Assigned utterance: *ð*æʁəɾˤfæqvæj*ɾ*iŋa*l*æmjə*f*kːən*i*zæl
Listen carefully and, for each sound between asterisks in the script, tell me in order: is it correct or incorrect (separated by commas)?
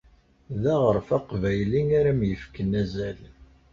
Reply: correct, incorrect, incorrect, correct, incorrect